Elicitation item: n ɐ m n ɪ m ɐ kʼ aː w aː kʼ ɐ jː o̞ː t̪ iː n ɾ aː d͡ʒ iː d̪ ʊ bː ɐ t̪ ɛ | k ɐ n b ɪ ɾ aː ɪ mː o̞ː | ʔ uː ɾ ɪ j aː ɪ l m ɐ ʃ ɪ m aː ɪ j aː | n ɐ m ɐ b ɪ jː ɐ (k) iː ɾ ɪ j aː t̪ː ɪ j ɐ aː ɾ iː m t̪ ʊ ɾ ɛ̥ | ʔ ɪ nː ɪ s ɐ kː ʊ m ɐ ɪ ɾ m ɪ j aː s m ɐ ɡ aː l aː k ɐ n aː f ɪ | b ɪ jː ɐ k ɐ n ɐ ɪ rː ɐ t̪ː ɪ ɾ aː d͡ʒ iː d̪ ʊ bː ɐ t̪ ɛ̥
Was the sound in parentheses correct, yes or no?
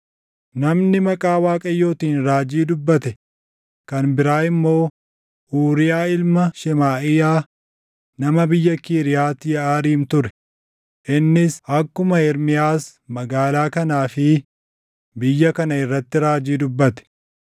yes